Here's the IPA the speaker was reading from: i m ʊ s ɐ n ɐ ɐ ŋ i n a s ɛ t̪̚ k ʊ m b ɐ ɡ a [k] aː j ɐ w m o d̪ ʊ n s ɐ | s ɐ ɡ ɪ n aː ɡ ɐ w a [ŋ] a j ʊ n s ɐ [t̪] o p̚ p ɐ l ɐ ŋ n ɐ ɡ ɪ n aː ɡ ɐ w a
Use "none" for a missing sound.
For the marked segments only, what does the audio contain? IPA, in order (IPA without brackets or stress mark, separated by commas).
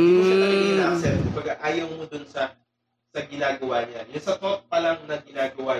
ʔ, ɲ, t̪